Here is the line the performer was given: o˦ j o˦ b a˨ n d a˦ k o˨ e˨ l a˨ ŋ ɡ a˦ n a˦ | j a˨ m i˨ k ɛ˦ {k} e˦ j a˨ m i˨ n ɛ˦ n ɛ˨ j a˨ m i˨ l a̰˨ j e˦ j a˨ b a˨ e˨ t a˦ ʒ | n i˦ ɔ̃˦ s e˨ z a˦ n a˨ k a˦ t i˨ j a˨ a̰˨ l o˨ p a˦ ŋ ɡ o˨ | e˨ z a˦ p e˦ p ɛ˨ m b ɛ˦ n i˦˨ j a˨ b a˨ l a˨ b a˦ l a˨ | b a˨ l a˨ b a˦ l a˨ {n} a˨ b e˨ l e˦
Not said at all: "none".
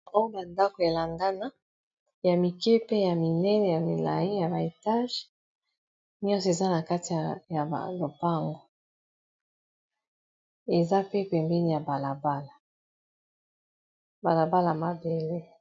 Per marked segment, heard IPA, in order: p, m

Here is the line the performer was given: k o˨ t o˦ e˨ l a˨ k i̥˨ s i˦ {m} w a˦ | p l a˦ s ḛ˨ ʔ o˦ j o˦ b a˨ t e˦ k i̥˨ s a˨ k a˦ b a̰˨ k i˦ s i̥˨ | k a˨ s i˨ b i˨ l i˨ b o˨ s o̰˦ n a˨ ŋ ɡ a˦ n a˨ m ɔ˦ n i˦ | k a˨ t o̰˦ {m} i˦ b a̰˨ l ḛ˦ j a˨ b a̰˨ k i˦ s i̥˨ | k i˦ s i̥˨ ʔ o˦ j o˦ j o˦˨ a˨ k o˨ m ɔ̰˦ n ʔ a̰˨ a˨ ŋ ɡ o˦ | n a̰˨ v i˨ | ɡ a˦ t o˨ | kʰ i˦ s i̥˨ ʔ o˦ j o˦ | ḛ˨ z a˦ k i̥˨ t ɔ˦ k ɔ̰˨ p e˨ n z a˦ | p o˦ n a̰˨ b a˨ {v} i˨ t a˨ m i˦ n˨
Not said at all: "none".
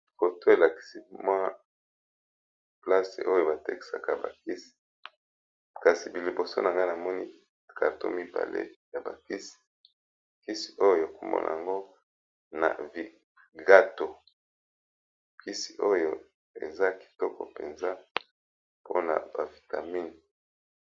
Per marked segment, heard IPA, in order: m, m, v

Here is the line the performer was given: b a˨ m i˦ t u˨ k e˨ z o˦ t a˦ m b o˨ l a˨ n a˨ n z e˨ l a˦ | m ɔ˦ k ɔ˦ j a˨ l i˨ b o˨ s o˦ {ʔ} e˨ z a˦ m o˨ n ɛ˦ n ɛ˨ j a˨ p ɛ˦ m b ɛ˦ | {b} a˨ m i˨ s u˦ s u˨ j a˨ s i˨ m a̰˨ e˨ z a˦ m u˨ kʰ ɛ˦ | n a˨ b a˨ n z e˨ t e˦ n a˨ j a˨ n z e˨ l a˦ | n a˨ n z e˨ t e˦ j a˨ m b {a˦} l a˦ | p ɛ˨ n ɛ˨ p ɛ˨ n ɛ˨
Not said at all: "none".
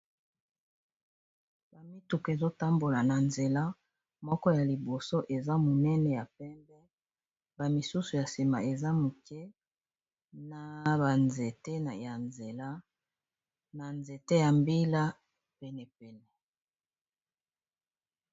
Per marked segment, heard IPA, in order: ʔ, b, i˦

